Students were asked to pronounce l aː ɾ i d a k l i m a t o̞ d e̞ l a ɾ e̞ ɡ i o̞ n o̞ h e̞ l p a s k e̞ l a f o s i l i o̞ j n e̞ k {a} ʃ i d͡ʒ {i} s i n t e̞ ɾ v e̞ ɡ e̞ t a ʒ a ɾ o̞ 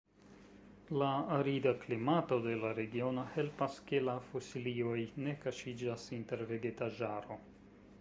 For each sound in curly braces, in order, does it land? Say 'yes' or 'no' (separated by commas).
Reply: yes, no